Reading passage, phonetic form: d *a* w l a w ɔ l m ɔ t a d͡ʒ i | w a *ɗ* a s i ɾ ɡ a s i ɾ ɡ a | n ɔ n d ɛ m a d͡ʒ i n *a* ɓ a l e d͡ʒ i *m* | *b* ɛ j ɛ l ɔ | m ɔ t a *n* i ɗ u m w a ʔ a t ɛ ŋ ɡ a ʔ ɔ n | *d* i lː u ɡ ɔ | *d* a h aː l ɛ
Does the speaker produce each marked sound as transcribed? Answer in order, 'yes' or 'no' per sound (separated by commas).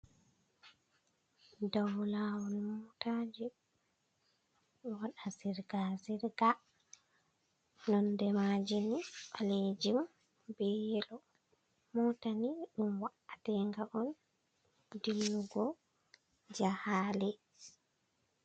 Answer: yes, yes, no, yes, yes, yes, yes, no